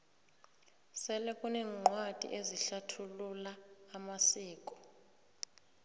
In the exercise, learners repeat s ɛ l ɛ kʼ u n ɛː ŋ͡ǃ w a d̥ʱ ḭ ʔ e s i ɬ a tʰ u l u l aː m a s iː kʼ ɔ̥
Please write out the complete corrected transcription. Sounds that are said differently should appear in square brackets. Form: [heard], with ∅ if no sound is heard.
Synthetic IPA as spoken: s ɛ l ɛ kʼ u n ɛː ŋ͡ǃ w a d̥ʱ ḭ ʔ e [z] i ɬ a tʰ u l u l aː m a s iː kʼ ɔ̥

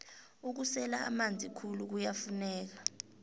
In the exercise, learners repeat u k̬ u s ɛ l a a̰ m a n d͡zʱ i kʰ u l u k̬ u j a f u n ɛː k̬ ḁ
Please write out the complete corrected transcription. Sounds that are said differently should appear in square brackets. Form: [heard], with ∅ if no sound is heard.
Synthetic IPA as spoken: u k̬ u s ɛ l a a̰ m a n d͡zʱ i kʰ u l u k̬ u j a f u n ɛː k̬ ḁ

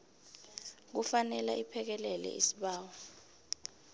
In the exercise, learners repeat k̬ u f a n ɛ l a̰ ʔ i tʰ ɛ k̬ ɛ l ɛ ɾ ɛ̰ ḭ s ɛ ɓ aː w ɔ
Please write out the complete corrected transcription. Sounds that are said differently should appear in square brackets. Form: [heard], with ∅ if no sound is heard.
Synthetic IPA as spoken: k̬ u f a n ɛ l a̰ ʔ i [pʰ] ɛ k̬ ɛ l ɛ [l] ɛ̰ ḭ s [i] ɓ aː w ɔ

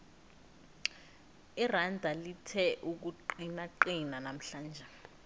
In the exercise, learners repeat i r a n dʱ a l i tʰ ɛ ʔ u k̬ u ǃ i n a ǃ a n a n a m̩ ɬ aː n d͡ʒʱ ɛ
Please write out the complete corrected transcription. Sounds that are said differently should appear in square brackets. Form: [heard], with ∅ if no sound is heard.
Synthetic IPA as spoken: i r a n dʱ a l i tʰ ɛ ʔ u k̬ u ǃ i n a ǃ [i] n a n a m̩ ɬ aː n d͡ʒʱ ɛ

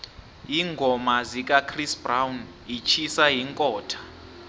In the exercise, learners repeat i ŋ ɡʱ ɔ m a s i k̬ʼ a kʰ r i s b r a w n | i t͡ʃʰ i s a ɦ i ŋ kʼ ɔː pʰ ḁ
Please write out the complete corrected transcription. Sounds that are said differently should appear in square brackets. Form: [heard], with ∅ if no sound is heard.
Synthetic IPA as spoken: i ŋ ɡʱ ɔ m a [z] i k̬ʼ a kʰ r i s b r a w n | i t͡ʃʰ i s a ɦ i ŋ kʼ ɔː [tʰ] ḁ

